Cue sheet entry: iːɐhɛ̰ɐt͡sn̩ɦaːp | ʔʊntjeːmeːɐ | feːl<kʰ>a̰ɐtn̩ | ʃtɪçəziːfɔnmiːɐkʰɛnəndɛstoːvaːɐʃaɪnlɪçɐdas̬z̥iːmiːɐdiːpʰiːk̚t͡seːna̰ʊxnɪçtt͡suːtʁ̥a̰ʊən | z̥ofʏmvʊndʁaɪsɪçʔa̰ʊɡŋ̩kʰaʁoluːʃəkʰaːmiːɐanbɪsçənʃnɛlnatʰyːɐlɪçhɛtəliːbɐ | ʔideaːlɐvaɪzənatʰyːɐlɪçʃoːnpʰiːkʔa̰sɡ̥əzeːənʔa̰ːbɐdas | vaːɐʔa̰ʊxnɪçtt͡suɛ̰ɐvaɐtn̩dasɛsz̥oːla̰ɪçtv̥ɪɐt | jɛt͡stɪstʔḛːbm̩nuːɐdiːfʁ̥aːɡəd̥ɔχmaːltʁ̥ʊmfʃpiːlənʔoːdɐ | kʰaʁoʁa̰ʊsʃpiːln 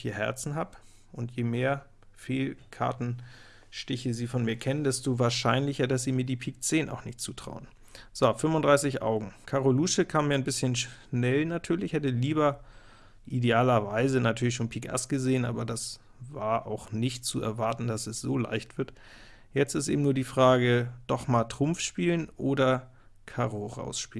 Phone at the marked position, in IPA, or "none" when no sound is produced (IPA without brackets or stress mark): kʰ